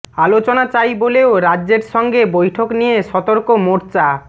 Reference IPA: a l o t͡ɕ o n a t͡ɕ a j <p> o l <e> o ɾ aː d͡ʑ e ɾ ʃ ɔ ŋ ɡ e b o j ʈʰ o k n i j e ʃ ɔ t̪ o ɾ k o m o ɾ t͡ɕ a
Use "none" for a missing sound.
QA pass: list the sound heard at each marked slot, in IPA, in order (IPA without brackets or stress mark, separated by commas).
b, e